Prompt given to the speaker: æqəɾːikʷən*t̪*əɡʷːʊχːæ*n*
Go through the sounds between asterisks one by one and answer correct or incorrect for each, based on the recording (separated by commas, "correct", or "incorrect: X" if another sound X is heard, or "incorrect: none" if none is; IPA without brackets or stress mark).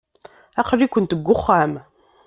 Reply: correct, incorrect: m